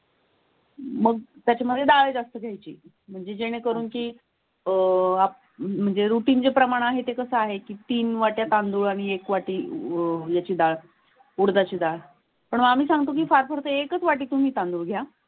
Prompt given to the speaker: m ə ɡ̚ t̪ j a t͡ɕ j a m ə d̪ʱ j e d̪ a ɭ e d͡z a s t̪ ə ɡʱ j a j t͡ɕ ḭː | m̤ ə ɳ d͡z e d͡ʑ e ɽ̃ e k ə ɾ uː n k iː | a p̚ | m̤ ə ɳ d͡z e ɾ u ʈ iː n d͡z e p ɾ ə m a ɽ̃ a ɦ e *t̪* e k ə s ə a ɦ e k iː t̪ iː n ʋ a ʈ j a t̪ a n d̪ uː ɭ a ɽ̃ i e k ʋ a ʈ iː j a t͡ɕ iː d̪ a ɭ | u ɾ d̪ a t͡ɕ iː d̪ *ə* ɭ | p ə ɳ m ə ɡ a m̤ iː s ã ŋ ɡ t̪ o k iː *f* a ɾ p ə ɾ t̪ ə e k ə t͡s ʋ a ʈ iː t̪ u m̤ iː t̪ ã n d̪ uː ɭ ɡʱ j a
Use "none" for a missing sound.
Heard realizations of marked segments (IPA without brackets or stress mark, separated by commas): t̪, a, f